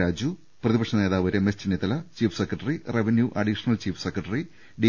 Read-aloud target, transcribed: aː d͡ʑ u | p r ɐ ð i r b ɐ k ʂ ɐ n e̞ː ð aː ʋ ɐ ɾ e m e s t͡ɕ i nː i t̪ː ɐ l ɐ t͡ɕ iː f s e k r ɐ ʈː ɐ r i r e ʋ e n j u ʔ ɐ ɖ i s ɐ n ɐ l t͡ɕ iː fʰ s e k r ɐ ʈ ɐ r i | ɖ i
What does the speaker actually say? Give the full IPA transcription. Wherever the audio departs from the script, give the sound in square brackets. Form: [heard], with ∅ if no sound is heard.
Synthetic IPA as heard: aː d͡ʑ u | p r ɐ ð i [∅] b ɐ k ʂ ɐ n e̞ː ð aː ʋ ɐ ɾ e m e s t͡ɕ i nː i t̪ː ɐ l ɐ t͡ɕ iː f s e k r ɐ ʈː ɐ r i r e ʋ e n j u ʔ ɐ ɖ i [ʂ] ɐ n ɐ l t͡ɕ iː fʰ s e k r ɐ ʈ ɐ r i | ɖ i

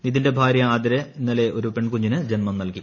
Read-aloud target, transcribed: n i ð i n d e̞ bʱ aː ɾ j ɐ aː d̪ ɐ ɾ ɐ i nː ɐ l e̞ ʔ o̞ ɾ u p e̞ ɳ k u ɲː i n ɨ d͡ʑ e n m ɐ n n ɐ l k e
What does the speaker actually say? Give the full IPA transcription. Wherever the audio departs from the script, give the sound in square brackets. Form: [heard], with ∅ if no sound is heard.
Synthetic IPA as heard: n i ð i n d e̞ bʱ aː ɾ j ɐ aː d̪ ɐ ɾ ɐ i nː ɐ l e̞ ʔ o̞ ɾ u p e̞ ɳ k u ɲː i n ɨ d͡ʑ e n m ɐ [m] n ɐ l k [i]

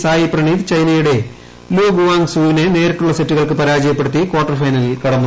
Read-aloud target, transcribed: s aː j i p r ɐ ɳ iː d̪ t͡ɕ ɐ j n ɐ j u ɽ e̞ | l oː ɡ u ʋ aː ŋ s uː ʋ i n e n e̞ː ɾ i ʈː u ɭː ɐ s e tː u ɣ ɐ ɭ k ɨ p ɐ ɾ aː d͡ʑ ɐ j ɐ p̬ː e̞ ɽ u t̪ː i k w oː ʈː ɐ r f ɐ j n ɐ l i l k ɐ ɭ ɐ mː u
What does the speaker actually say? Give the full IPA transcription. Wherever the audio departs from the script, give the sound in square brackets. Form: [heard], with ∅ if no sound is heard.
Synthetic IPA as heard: s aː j i p r ɐ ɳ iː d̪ t͡ɕ ɐ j n ɐ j u ɽ e̞ | l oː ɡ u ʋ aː ŋ s uː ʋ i n e n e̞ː ɾ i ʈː u ɭː ɐ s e tː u ɣ ɐ ɭ k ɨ p ɐ ɾ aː d͡ʑ ɐ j ɐ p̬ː e̞ ɽ u t̪ː i k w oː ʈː ɐ r f ɐ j n ɐ l i l k ɐ [ɽ] ɐ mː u

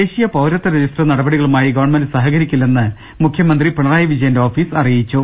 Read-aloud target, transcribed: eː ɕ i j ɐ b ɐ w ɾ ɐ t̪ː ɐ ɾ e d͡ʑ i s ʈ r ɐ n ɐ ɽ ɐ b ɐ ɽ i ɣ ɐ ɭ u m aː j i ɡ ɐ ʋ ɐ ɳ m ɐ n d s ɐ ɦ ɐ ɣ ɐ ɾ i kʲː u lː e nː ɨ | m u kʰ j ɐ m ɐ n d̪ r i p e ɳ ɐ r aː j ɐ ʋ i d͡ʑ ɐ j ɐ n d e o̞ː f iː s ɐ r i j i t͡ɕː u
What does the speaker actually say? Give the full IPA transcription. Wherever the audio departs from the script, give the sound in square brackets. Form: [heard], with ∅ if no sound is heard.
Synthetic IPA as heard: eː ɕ i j ɐ [p] ɐ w ɾ ɐ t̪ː ɐ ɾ e d͡ʑ i s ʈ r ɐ n ɐ ɽ ɐ b ɐ ɽ i ɣ ɐ ɭ u m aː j i ɡ ɐ ʋ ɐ ɳ m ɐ n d s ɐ ɦ ɐ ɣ ɐ ɾ i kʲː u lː e nː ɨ | m u kʰ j ɐ m ɐ n d̪ r i p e ɳ ɐ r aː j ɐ ʋ i d͡ʑ ɐ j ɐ n d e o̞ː f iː s ɐ r i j i t͡ɕː u

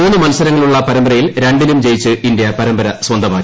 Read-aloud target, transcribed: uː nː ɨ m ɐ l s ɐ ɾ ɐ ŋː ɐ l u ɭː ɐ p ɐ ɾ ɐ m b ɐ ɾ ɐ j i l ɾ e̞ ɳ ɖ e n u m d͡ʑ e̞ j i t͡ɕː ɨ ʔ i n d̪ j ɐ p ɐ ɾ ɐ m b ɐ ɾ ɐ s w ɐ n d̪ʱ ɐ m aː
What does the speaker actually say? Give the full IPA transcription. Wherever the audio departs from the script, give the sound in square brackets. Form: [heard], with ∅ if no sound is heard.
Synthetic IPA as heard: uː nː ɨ m ɐ l s ɐ ɾ ɐ ŋː ɐ [ɭ] u ɭː ɐ p ɐ ɾ ɐ m b ɐ ɾ ɐ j i l ɾ e̞ ɳ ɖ [i] n u m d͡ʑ e̞ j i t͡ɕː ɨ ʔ i n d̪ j ɐ p ɐ ɾ ɐ m b ɐ ɾ ɐ s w ɐ n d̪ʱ ɐ m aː

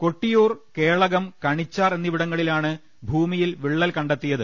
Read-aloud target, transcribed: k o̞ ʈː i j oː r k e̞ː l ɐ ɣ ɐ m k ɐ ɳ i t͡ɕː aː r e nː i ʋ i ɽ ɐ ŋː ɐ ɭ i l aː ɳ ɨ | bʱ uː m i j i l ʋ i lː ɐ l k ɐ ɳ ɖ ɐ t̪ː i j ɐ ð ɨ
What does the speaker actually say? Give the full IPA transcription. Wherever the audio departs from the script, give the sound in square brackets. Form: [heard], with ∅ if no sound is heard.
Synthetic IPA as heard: k o̞ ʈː i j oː r k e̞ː [ɭ] ɐ ɣ ɐ m k ɐ ɳ i t͡ɕː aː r e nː i ʋ i ɽ ɐ ŋː ɐ ɭ i l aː ɳ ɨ | bʱ uː m i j i l ʋ i [ɭː] ɐ l k ɐ ɳ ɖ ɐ t̪ː i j ɐ ð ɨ

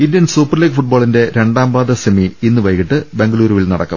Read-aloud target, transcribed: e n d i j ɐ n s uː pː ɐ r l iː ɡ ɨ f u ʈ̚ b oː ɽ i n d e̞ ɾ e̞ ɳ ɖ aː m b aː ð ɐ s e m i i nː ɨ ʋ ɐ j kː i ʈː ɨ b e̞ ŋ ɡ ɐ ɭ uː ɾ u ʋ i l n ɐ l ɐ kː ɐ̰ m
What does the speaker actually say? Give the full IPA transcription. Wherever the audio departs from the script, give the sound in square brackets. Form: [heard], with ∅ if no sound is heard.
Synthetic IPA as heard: [i] n d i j ɐ n s uː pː ɐ r l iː ɡ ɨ f u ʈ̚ b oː [ɭ] i n d e̞ ɾ e̞ ɳ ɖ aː m b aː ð ɐ s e m i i nː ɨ ʋ ɐ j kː i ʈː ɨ b e̞ ŋ ɡ ɐ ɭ uː ɾ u ʋ i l n ɐ [ɽ] ɐ kː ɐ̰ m

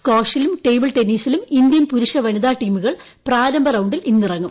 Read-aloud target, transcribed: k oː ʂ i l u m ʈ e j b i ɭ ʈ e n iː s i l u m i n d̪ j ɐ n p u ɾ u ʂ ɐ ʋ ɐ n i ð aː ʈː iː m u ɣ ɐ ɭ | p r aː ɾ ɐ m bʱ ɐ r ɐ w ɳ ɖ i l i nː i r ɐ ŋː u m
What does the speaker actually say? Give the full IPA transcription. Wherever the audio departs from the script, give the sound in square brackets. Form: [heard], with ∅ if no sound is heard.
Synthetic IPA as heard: k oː ʂ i l u m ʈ e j b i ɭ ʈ e n iː s i l u m i n d̪ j ɐ n p u ɾ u ʂ ɐ ʋ ɐ n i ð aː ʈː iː m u ɣ ɐ ɭ | p r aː ɾ ɐ m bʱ ɐ r ɐ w ɳ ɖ i l i nː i r ɐ ŋː u m

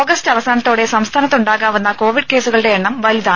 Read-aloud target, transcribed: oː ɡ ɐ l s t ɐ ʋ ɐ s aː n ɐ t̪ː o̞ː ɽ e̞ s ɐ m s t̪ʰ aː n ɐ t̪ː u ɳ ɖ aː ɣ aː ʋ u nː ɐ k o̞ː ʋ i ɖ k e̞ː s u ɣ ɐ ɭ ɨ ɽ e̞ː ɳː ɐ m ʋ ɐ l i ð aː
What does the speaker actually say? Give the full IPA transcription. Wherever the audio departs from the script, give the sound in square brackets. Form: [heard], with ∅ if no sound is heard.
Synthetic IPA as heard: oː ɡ ɐ [∅] s t ɐ ʋ ɐ s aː n ɐ t̪ː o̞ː ɽ e̞ s ɐ m s t̪ʰ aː n ɐ t̪ː u ɳ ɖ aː ɣ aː ʋ u nː ɐ k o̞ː ʋ i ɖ k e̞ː s u ɣ ɐ ɭ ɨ ɽ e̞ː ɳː ɐ m ʋ ɐ l i ð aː

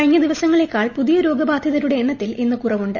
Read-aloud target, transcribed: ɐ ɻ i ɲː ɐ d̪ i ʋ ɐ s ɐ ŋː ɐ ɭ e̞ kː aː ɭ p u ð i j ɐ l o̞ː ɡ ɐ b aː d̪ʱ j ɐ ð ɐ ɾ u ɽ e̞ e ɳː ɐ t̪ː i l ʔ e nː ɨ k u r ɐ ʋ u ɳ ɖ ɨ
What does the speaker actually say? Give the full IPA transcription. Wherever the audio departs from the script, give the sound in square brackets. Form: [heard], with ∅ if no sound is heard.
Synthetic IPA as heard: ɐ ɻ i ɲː ɐ d̪ i ʋ ɐ s ɐ ŋː ɐ ɭ e̞ kː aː ɭ p u ð i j ɐ [ɾ] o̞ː ɡ ɐ b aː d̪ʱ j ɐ ð ɐ ɾ u ɽ e̞ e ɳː ɐ t̪ː i l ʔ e nː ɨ k u r ɐ ʋ u ɳ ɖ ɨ

